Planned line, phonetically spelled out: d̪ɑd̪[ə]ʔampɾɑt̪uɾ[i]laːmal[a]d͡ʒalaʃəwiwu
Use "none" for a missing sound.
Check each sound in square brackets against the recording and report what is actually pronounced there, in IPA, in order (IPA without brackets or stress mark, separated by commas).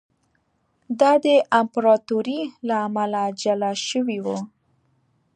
ə, i, a